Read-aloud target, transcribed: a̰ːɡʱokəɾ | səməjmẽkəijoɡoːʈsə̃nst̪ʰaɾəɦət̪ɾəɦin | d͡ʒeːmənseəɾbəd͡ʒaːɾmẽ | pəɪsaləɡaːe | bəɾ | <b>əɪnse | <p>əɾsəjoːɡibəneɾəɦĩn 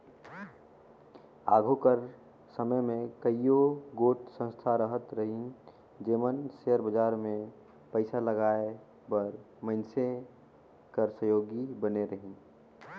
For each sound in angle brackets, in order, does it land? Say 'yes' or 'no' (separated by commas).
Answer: no, no